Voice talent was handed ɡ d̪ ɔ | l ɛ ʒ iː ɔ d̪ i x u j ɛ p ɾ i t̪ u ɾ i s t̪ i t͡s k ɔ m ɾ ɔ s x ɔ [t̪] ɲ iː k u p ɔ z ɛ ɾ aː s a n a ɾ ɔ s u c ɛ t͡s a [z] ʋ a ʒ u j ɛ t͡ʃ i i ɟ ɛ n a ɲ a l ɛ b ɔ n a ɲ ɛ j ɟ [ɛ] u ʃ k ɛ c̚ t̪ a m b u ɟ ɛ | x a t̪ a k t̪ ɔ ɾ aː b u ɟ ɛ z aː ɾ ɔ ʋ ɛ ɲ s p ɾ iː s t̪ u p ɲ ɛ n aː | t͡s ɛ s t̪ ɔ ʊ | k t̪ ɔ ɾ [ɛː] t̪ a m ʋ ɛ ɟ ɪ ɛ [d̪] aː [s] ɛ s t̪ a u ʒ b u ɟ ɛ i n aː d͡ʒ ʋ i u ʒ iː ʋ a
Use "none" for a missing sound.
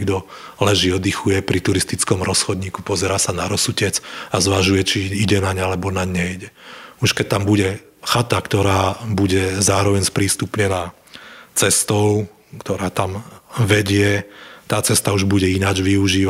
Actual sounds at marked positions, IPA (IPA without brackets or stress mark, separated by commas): d̪, z, ɛ, aː, t̪, t͡s